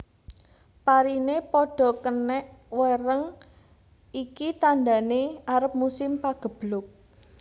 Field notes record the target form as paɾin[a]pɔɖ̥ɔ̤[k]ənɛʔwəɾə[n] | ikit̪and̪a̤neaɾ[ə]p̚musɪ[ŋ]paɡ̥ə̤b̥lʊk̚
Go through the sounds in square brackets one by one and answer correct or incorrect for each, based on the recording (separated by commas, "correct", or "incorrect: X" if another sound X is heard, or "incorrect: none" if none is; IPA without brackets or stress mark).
incorrect: e, correct, incorrect: ŋ, correct, incorrect: m